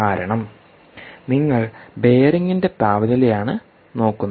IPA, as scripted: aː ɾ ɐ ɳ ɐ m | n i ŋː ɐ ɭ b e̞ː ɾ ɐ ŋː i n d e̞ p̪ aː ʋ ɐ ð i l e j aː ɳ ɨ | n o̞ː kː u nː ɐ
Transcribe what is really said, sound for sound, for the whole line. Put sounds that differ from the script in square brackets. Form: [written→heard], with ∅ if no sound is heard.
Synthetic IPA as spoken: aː ɾ ɐ ɳ ɐ m | n i ŋː ɐ ɭ b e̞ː ɾ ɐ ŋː i n d e̞ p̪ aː ʋ ɐ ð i l e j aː ɳ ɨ | n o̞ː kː u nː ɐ